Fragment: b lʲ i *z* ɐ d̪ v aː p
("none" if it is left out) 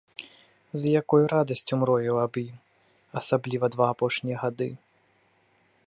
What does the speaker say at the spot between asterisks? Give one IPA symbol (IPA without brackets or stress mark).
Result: v